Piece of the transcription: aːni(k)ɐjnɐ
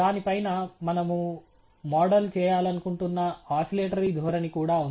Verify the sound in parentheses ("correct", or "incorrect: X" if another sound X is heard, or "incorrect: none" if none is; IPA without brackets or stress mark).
incorrect: p